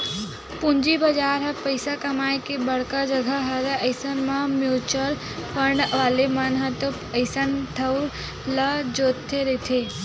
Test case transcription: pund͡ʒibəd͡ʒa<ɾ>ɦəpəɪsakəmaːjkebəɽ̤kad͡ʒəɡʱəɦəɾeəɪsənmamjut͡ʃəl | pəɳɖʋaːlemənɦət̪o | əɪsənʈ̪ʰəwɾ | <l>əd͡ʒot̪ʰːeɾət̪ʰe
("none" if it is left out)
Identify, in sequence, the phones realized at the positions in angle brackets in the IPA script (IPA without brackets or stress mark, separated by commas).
ɾ, l